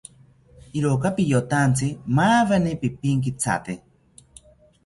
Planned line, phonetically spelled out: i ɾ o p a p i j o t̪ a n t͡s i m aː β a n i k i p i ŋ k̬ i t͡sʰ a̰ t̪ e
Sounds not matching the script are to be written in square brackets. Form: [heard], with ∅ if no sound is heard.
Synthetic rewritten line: i ɾ o [k] a p i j o t̪ a n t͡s i m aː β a n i [p] i p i ŋ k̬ i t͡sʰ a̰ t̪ e